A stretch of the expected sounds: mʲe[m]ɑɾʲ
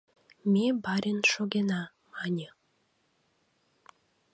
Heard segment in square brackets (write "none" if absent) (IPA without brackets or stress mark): b